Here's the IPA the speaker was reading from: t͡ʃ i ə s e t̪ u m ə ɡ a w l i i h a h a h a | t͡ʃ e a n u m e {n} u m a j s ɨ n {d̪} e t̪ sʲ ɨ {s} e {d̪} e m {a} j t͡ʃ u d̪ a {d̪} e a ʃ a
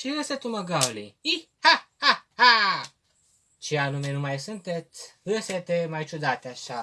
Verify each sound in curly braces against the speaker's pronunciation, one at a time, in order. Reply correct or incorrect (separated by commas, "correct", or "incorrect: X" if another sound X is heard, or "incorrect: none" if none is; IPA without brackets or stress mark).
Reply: correct, incorrect: t̪, correct, incorrect: t̪, correct, incorrect: t̪